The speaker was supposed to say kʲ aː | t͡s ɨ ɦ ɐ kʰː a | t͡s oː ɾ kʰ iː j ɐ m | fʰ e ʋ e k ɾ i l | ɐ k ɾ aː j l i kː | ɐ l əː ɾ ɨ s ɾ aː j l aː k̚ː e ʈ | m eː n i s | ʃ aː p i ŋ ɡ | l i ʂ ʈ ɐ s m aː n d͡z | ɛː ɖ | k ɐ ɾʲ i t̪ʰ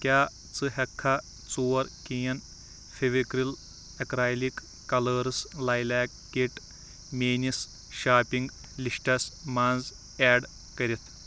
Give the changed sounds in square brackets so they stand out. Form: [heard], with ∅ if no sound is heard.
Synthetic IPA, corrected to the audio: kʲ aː | t͡s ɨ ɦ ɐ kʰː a | t͡s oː ɾ [k] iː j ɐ [n] | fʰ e ʋ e k ɾ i l | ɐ k ɾ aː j l i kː | ɐ l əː ɾ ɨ s [l] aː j l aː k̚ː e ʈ | m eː n i s | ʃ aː p i ŋ ɡ | l i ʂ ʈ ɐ s m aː n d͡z | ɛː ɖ | k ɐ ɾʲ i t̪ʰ